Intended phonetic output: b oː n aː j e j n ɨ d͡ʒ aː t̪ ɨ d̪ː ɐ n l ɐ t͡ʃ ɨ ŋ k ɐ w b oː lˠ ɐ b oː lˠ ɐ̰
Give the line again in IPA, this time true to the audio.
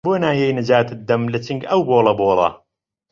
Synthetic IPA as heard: b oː n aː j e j n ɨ d͡ʒ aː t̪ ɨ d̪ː ɐ m l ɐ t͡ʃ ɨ ŋ ɡ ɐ w b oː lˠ ɐ b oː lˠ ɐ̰